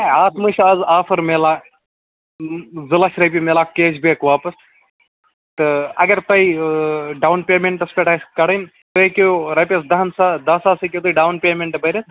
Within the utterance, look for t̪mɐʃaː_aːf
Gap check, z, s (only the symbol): z